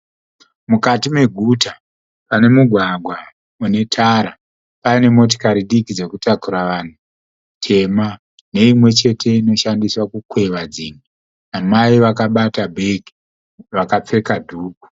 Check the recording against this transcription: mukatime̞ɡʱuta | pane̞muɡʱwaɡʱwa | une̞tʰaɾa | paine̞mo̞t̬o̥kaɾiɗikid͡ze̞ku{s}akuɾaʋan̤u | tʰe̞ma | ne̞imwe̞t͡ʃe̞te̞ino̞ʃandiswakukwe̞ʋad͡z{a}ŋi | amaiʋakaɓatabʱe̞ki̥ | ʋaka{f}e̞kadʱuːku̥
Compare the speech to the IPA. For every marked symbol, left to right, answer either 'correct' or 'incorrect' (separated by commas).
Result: incorrect, incorrect, incorrect